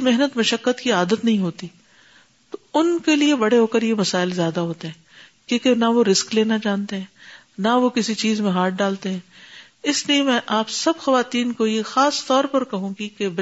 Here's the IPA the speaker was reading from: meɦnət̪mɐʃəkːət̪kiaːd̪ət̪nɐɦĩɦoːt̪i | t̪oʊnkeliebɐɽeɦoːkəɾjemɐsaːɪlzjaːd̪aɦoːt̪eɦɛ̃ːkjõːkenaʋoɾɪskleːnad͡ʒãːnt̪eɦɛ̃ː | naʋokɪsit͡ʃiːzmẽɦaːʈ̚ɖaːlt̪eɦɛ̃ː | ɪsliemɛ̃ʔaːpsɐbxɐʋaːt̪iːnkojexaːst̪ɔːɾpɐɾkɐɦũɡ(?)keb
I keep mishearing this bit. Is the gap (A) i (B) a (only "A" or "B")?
A